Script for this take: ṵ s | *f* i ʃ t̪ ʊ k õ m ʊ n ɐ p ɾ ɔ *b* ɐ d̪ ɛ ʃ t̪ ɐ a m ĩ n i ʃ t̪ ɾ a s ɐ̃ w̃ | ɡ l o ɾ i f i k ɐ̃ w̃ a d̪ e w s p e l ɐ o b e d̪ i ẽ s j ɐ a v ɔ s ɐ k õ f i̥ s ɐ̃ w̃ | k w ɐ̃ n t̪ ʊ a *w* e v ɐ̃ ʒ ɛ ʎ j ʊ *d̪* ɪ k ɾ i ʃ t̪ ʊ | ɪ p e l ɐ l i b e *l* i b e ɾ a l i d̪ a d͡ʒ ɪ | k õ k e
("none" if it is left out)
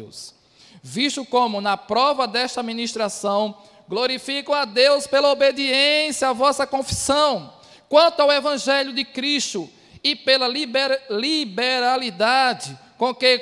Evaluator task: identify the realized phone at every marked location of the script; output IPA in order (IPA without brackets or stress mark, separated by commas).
v, v, w, d̪, l